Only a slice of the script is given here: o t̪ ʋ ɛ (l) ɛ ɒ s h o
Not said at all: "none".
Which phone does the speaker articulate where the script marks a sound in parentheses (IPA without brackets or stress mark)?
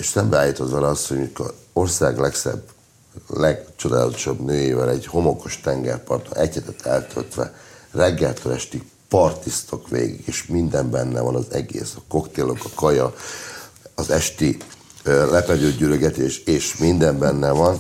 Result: l